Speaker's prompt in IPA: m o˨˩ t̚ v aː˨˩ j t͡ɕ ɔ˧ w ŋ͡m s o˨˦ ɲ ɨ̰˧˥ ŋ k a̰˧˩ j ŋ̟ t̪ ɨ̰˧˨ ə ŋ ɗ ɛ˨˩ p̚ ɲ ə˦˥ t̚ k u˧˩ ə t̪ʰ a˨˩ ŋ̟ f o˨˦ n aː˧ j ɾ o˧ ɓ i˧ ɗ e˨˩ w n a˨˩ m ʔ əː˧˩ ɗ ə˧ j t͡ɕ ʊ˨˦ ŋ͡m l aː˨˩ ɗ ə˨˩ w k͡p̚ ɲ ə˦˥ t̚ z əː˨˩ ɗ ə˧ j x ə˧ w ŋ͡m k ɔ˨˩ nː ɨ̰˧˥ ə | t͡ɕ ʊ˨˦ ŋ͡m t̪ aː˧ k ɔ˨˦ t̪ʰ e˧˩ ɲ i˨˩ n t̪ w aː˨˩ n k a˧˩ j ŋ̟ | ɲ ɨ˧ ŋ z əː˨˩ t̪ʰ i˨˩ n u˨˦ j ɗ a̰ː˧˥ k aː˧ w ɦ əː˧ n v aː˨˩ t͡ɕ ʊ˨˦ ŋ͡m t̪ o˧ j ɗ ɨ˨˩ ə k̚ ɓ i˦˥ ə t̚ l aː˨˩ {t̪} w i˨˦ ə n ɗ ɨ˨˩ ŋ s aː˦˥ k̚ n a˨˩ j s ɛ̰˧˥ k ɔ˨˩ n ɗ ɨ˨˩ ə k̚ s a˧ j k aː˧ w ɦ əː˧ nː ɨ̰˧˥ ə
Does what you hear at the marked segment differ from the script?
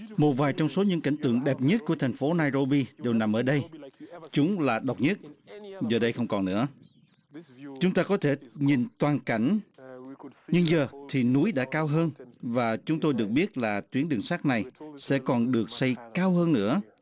no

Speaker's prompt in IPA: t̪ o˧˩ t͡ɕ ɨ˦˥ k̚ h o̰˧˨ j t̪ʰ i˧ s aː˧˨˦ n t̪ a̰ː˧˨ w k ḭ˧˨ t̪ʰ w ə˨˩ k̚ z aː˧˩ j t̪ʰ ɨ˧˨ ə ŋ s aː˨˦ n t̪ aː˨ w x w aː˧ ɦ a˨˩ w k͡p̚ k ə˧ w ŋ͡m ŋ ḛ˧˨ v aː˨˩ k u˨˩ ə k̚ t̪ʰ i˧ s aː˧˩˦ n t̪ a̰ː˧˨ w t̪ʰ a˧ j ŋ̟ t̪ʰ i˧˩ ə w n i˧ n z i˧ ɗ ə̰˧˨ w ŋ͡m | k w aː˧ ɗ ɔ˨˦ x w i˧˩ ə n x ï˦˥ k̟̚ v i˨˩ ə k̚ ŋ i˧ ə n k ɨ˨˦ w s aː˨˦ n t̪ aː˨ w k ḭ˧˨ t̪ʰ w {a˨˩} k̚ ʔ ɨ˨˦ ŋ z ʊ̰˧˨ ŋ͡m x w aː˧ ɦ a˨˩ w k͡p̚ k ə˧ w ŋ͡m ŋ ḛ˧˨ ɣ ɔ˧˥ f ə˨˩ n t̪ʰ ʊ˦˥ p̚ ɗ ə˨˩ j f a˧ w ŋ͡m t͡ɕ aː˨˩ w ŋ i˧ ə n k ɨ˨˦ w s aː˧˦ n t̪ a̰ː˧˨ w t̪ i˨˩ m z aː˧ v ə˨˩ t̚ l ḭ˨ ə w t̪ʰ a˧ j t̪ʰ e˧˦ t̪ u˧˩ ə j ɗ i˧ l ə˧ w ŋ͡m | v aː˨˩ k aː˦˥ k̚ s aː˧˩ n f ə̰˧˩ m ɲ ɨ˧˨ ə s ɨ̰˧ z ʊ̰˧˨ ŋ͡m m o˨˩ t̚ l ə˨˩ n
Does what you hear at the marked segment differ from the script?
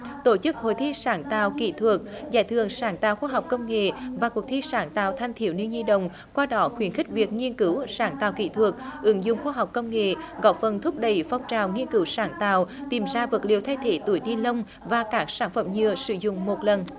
yes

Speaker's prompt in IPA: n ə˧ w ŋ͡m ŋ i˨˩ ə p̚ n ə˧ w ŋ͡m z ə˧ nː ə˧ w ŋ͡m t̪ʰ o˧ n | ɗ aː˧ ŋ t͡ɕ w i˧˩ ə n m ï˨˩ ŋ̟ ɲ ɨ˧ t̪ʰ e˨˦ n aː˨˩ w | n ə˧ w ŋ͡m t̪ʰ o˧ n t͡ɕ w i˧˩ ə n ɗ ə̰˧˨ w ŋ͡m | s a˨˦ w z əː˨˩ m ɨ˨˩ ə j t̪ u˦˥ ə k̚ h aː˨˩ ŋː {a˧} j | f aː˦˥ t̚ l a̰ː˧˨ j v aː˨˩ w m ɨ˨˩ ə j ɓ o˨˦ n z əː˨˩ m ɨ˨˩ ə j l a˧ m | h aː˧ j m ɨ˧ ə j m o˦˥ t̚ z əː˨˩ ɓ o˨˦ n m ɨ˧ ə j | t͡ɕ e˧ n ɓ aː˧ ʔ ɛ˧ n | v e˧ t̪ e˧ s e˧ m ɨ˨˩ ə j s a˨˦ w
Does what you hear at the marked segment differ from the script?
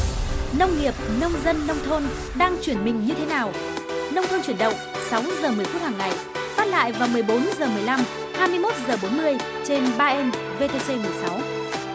yes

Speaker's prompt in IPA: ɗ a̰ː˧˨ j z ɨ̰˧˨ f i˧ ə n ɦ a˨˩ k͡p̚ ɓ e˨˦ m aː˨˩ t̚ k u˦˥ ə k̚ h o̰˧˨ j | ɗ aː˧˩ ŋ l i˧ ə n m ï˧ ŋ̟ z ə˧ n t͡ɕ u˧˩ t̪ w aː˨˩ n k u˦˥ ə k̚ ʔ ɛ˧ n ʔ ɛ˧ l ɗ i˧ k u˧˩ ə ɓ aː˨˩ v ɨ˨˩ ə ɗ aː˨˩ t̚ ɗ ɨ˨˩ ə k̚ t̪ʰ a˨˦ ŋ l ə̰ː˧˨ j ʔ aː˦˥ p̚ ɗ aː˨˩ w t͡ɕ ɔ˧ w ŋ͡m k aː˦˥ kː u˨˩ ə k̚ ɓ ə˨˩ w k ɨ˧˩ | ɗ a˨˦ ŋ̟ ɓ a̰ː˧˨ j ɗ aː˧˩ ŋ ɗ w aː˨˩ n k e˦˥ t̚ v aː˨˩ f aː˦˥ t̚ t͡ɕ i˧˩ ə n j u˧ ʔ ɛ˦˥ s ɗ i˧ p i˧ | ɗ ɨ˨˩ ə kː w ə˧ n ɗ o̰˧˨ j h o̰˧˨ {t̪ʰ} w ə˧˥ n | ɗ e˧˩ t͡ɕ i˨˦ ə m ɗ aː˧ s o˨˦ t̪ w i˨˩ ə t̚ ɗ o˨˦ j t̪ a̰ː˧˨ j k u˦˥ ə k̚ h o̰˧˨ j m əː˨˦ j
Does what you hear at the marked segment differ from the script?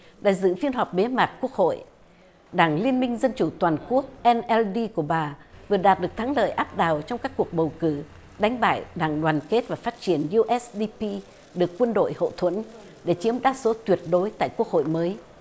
no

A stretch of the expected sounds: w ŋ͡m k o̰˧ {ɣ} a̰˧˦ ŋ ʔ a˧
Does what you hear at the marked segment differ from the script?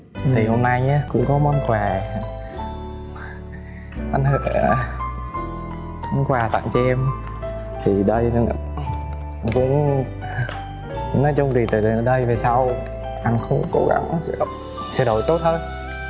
no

